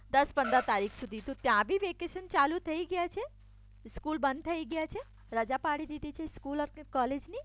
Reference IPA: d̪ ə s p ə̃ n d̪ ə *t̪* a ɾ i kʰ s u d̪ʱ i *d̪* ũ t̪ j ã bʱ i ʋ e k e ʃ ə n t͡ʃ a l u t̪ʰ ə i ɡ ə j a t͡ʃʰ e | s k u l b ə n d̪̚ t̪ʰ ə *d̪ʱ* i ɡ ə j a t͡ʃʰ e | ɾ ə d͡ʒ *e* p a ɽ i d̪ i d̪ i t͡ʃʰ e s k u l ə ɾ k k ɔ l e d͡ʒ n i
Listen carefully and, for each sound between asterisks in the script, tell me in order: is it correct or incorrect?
correct, incorrect: t̪, incorrect: none, incorrect: a

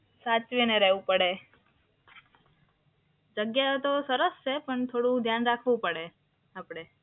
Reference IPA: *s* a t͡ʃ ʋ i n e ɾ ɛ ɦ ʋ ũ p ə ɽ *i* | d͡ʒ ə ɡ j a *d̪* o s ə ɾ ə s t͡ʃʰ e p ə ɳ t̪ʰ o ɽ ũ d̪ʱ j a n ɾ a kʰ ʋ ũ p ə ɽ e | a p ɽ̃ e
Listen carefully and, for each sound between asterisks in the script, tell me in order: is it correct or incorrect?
correct, incorrect: e, incorrect: t̪

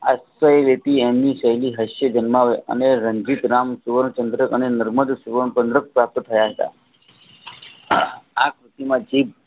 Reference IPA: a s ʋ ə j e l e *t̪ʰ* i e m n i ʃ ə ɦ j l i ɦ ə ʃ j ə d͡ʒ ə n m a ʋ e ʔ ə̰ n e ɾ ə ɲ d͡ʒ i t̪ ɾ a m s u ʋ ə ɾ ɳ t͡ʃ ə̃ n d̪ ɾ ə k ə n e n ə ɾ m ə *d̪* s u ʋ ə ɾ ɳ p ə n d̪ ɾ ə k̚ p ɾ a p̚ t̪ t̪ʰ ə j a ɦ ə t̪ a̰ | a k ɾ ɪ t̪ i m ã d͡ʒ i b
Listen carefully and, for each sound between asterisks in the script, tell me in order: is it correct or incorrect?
incorrect: t̪, correct

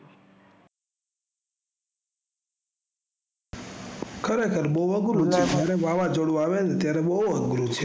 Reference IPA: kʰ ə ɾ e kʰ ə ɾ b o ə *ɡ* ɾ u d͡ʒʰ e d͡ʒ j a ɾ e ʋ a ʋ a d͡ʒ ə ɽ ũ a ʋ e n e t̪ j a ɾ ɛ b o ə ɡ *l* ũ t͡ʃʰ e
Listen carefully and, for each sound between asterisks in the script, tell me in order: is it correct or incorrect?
correct, incorrect: ɾ

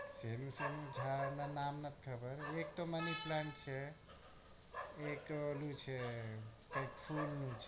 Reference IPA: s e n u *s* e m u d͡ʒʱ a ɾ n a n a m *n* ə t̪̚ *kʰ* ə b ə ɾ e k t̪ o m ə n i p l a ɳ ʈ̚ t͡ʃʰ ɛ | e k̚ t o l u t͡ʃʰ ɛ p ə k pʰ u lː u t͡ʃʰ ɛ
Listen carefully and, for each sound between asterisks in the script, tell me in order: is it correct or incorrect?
correct, correct, correct

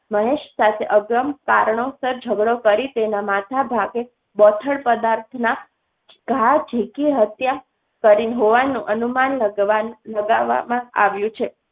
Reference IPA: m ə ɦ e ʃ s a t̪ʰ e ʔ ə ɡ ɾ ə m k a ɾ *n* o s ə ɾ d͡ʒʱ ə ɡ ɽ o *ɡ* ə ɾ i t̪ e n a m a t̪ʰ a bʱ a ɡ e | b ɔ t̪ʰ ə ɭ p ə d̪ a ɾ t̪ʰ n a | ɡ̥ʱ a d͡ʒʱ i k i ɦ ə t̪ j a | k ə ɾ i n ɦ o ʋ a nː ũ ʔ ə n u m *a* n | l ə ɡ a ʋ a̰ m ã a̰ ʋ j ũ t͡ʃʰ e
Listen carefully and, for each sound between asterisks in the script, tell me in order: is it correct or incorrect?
incorrect: ɳ, incorrect: k, correct

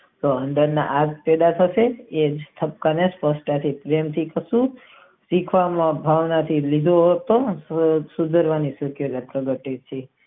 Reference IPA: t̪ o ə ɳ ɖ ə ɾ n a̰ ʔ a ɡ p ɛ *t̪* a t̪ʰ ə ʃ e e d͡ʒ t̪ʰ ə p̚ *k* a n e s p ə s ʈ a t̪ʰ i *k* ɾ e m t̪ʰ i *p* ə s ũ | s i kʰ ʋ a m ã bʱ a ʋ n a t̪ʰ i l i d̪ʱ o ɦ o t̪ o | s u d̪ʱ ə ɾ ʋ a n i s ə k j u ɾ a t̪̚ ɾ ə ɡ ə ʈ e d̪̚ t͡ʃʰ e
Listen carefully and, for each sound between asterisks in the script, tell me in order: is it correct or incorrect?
incorrect: d̪, correct, incorrect: p, incorrect: k

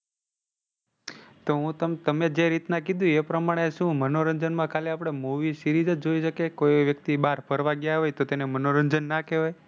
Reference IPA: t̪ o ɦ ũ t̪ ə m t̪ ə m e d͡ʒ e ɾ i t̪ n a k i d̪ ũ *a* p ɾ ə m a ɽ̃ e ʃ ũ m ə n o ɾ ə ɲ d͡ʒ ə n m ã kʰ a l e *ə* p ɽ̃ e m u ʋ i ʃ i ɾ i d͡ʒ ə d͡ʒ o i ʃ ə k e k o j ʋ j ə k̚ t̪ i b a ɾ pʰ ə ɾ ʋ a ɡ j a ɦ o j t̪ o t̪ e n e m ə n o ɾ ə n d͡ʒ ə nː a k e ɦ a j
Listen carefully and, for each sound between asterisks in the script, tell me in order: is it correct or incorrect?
incorrect: e, incorrect: a

